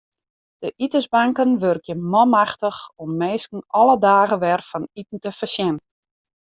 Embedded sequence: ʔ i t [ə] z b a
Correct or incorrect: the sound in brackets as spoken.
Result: correct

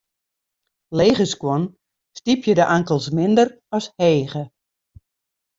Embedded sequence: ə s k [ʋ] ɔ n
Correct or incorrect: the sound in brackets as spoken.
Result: incorrect: w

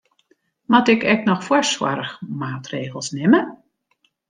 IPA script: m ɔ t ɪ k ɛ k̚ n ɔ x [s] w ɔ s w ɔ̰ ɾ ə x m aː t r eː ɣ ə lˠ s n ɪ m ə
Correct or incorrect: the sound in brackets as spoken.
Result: incorrect: f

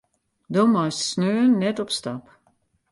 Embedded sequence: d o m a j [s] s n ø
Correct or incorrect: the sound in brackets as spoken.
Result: correct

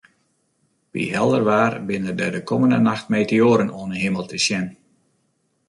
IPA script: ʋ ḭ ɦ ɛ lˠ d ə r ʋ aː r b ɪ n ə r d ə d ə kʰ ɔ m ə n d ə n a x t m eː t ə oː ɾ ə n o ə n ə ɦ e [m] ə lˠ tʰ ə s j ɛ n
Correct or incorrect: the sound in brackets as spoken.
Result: correct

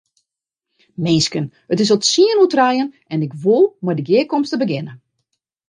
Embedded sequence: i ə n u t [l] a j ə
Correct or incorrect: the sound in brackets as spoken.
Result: incorrect: r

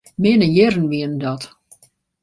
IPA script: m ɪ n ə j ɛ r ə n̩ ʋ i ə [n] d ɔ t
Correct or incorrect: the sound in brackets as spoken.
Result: correct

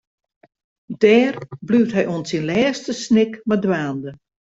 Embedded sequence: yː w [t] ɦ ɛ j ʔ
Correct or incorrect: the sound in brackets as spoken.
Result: correct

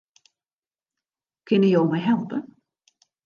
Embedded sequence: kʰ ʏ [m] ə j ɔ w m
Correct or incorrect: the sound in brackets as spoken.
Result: incorrect: n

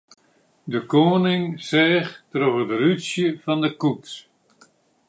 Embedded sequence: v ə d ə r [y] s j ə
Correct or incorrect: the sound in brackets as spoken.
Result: correct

